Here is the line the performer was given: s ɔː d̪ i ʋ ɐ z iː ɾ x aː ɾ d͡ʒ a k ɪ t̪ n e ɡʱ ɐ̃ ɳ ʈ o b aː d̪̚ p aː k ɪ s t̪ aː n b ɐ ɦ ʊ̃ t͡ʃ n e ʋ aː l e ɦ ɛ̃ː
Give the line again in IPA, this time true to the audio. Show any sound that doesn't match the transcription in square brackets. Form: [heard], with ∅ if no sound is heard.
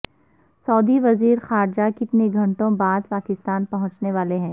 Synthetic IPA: s ɔː d̪ i ʋ ɐ z iː ɾ x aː ɾ d͡ʒ a k ɪ t̪ n e ɡʱ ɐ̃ ɳ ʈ [õ] b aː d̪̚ p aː k ɪ s t̪ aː n [p] ɐ ɦ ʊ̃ t͡ʃ n e ʋ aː l e ɦ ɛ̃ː

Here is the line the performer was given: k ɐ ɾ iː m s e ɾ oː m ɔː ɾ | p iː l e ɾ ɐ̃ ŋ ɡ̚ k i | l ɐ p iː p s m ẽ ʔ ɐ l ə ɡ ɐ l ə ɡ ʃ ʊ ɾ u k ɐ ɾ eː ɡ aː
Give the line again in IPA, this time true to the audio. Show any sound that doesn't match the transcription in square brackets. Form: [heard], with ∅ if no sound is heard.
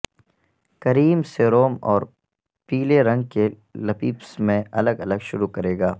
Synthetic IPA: k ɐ ɾ iː m s e ɾ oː m ɔː ɾ | p iː l e ɾ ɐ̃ ŋ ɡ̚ k [e] | l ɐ p iː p s m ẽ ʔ ɐ l ə ɡ ɐ l ə ɡ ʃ ʊ ɾ u k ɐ ɾ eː ɡ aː

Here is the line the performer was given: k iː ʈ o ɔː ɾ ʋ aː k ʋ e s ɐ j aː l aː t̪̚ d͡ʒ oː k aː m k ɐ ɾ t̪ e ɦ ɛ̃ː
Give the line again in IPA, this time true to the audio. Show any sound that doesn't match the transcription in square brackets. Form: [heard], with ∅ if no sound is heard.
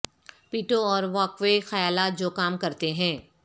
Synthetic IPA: [p] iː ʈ o ɔː ɾ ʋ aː k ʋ e [x] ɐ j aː l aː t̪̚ d͡ʒ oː k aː m k ɐ ɾ t̪ e ɦ ɛ̃ː

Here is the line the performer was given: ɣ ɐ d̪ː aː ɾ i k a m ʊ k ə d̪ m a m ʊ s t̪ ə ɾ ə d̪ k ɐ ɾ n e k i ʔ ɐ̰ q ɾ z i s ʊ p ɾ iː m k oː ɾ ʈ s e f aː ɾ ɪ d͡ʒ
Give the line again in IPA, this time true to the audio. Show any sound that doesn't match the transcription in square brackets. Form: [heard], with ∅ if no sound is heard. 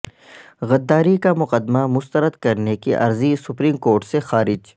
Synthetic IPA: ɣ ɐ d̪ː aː ɾ i k a m ʊ [q] ə d̪ m a m ʊ s t̪ ə ɾ ə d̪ k ɐ ɾ n e k i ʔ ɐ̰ [∅] ɾ z i s ʊ p ɾ iː m k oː ɾ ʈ s e [x] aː ɾ ɪ d͡ʒ

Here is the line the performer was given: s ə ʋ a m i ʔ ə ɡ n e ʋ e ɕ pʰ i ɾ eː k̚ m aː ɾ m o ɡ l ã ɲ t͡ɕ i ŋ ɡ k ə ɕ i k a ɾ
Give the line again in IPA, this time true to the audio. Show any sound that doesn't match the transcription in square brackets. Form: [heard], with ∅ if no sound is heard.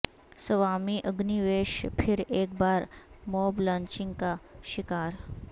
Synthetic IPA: s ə ʋ a m i ʔ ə ɡ n [i] ʋ e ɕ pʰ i ɾ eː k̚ [b] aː ɾ m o [b] l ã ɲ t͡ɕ i ŋ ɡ k [a] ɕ i k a ɾ

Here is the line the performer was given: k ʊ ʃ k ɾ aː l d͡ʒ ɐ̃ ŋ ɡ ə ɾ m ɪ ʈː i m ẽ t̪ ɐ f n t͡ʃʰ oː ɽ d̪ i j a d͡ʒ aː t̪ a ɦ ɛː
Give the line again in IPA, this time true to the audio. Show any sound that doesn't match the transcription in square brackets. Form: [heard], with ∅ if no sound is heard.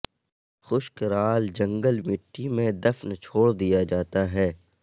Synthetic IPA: [x] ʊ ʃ k ɾ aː l d͡ʒ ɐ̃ ŋ ɡ ə [l] m ɪ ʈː i m ẽ [d̪] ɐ f n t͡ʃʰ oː ɽ d̪ i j a d͡ʒ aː t̪ a ɦ ɛː

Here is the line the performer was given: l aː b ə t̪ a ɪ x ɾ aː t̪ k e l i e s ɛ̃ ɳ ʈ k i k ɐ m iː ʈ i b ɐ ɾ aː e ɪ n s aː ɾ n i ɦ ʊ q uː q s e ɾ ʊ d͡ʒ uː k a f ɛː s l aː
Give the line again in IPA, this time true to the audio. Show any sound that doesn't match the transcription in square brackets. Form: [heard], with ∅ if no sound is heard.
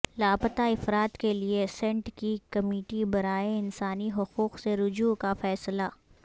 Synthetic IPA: l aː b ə t̪ a ɪ [f] ɾ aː t̪ k e l i e s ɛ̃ ɳ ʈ k i k ɐ m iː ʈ i b ɐ ɾ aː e ɪ n s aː [∅] n i ɦ ʊ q uː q s e ɾ ʊ d͡ʒ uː k a f ɛː s l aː

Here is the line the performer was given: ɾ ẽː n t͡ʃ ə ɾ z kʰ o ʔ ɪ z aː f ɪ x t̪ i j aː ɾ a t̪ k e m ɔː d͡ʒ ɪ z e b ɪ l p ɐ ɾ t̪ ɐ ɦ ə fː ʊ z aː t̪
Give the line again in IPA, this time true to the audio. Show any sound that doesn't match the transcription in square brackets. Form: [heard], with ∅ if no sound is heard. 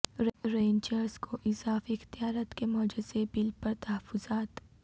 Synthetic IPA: ɾ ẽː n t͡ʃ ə ɾ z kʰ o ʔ ɪ z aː f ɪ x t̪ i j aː ɾ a t̪ k e m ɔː d͡ʒ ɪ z e b ɪ l p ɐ ɾ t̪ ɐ ɦ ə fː ʊ z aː t̪

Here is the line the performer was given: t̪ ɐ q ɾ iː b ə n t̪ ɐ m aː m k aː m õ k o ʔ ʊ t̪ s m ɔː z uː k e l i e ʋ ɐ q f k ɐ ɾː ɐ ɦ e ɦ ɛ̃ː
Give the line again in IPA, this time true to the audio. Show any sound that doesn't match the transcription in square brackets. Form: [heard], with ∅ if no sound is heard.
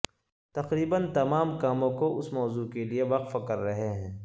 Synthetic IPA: t̪ ɐ q ɾ iː b ə n t̪ ɐ m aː m k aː m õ k o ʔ ʊ [∅] s m ɔː z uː k e l i e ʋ ɐ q f k ɐ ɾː ɐ ɦ e ɦ ɛ̃ː

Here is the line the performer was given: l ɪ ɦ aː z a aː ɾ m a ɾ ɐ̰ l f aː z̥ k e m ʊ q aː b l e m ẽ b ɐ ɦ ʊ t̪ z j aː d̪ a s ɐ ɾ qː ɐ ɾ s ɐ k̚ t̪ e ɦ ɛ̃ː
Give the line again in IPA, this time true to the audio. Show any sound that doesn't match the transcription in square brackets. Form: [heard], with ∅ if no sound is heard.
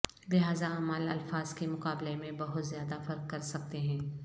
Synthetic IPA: l ɪ ɦ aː z a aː [∅] m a [l] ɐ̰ l f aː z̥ k e m ʊ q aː b l e m ẽ b ɐ ɦ ʊ t̪ z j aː d̪ a [f] ɐ ɾ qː ɐ ɾ s ɐ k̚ t̪ e ɦ ɛ̃ː

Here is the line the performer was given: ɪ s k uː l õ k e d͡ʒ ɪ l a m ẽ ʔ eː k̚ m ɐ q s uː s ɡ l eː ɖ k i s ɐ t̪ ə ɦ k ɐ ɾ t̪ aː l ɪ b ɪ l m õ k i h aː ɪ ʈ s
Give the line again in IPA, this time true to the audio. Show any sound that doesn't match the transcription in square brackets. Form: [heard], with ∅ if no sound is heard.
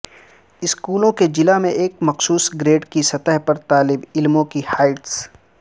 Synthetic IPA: ɪ s k uː l õ k e d͡ʒ ɪ l a m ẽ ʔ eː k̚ m ɐ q s uː s ɡ [ɾ] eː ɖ k i s ɐ t̪ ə ɦ [p] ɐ ɾ t̪ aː l ɪ b ɪ l m õ k i h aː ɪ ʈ s

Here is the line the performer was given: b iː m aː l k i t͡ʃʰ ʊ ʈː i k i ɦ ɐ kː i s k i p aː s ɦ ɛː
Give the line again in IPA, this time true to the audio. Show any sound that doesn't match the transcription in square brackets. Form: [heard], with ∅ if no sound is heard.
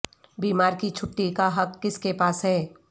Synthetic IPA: b iː m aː [ɾ] k i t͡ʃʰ ʊ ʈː i k [a] ɦ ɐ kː [ɪ] s k [e] p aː s ɦ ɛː

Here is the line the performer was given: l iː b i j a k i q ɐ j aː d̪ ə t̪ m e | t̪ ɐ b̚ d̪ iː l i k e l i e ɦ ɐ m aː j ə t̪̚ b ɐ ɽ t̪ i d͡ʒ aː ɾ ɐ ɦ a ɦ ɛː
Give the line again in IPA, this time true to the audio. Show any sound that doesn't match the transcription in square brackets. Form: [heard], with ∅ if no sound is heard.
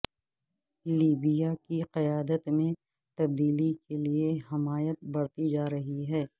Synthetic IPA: l iː b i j a k i q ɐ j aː d̪ ə t̪ m [ẽ] | t̪ ɐ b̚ d̪ iː l i k e l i e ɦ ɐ m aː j ə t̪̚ b ɐ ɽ t̪ i d͡ʒ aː ɾ ɐ ɦ [i] ɦ ɛː

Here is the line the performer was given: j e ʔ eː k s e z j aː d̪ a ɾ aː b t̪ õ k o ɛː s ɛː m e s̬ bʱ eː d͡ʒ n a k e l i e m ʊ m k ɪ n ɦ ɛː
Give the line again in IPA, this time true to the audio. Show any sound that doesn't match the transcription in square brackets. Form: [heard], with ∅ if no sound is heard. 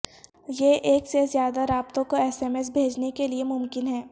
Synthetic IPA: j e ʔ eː k s e z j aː d̪ a ɾ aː b t̪ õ k o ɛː s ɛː m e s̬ bʱ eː d͡ʒ n [e] k e l i e m ʊ m k ɪ n ɦ ɛː

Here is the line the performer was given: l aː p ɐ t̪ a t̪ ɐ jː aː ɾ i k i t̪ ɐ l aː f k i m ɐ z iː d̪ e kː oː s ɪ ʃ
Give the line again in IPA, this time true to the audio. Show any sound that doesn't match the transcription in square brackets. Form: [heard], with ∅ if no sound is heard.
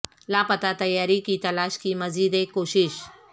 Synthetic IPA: l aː p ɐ t̪ a t̪ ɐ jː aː ɾ i k i t̪ ɐ l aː [ʃ] k i m ɐ z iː d̪ e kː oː [ʃ] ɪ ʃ

